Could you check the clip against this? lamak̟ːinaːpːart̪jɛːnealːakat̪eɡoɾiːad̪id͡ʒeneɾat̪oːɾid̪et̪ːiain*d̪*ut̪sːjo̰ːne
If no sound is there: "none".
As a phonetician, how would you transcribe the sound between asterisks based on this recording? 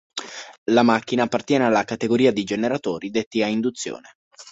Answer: d̪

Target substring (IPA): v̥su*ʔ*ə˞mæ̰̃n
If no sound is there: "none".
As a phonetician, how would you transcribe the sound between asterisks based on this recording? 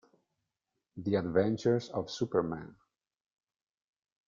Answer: p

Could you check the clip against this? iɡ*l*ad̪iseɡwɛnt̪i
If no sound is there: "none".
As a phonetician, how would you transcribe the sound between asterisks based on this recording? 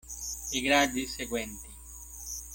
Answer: ɾ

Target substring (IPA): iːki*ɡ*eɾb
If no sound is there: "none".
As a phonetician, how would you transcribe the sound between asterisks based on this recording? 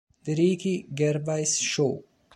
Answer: ɡ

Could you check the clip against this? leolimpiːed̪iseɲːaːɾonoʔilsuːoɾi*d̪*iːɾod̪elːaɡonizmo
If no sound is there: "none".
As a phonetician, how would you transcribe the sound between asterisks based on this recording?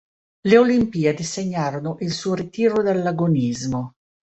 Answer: t̪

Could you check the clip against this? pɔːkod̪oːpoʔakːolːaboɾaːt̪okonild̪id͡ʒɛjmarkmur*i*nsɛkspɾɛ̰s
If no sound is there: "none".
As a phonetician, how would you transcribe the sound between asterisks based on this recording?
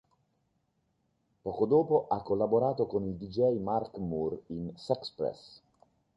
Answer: i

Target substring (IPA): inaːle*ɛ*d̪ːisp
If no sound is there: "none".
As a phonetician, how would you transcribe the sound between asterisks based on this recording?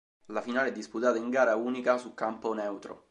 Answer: ɛ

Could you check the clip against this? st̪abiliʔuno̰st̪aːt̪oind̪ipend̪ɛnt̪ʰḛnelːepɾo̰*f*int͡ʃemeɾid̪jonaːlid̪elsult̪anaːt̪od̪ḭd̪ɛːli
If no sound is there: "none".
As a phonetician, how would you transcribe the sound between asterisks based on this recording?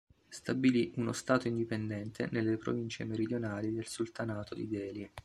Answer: v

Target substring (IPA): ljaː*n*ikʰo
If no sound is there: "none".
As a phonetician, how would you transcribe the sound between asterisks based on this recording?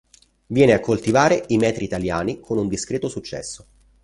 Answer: n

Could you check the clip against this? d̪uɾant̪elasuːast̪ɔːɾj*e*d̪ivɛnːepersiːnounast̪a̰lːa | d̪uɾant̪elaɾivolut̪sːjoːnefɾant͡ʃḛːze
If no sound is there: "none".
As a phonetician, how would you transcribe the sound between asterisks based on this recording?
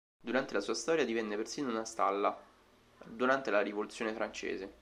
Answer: a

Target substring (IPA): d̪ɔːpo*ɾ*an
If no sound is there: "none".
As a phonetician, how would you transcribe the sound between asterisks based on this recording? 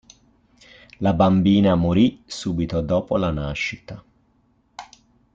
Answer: l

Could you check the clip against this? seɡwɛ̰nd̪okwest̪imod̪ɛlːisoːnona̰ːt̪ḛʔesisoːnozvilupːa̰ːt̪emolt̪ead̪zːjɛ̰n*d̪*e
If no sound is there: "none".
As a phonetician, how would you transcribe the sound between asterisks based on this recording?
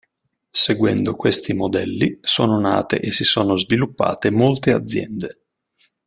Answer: d̪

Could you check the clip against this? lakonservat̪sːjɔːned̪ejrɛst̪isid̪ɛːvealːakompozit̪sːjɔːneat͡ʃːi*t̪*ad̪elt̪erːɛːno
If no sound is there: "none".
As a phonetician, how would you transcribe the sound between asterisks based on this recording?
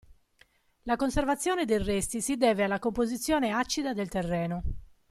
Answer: d̪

